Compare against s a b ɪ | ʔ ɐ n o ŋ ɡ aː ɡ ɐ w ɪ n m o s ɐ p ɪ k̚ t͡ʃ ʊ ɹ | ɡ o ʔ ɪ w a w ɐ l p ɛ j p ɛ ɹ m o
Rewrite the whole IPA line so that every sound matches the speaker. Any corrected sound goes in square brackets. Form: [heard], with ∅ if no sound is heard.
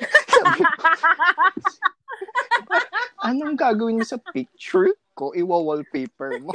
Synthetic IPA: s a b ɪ | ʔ ɐ n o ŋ ɡ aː ɡ ɐ w ɪ n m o s ɐ p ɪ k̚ t͡ʃ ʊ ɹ | [k] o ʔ ɪ w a w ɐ l p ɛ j p ɛ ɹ m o